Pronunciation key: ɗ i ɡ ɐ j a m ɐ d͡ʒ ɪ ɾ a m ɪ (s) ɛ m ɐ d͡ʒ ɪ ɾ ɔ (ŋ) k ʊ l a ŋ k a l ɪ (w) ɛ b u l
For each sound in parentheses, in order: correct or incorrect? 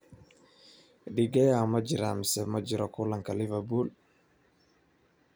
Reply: correct, incorrect, incorrect

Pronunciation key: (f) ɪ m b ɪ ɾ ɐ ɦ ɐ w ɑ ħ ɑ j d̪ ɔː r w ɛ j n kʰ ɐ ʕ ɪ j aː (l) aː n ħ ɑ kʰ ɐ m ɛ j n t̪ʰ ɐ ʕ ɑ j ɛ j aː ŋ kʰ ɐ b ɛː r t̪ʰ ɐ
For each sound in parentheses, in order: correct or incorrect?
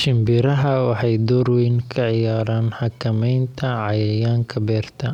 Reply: incorrect, incorrect

